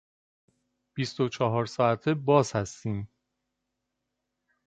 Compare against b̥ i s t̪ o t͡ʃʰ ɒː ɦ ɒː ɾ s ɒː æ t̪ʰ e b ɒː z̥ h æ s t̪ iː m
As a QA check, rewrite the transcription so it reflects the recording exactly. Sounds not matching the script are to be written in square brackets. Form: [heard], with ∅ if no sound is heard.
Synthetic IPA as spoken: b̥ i s t̪ o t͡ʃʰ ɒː ɦ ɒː ɾ s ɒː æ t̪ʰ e b ɒː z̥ h æ s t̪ iː m